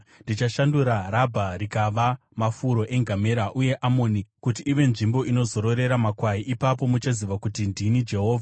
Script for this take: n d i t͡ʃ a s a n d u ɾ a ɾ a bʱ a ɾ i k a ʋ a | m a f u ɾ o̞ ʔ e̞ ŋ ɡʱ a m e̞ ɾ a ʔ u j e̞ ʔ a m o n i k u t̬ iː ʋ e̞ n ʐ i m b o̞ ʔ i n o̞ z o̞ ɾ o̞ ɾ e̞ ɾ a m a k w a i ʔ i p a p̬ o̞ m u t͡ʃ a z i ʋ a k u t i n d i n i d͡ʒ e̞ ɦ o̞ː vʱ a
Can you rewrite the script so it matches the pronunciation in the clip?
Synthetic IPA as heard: n d i t͡ʃ a ʃ a n d u ɾ a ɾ a bʱ a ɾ i k a ʋ a | m a f u ɾ o̞ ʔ e̞ ŋ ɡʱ a m e̞ ɾ a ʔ u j e̞ ʔ a m o n i k u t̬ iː ʋ e̞ n ʐ i m b o̞ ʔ i n o̞ z o̞ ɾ o̞ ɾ e̞ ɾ a m a k w a i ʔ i p a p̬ o̞ m u t͡ʃ a z i ʋ a k u t i n d i n i d͡ʒ e̞ ɦ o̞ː vʱ a